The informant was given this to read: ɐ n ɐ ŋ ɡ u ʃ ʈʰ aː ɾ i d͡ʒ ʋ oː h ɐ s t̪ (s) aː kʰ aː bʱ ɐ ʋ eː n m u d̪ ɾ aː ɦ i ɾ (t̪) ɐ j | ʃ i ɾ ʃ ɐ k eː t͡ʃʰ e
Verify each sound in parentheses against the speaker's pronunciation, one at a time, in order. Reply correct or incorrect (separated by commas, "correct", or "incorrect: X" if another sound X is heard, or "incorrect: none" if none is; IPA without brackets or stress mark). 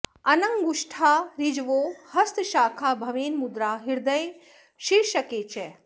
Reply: incorrect: ʃ, incorrect: d̪